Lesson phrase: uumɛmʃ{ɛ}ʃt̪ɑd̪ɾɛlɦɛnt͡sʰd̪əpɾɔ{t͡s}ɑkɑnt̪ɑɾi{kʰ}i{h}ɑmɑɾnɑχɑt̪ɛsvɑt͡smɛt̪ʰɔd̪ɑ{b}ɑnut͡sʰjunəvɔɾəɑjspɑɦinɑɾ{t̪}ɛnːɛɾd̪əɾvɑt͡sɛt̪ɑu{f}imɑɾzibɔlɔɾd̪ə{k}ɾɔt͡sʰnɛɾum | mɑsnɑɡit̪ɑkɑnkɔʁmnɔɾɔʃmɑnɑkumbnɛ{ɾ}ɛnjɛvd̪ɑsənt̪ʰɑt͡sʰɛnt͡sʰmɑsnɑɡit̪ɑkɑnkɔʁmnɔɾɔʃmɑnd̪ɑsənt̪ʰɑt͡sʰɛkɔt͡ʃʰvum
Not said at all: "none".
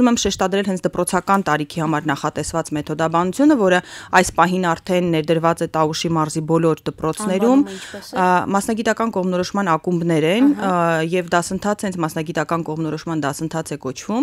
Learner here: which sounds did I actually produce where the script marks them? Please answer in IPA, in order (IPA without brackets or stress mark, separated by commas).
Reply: ɛ, t͡sʰ, kʰ, h, b, t̪ʰ, ʃ, p, ɾ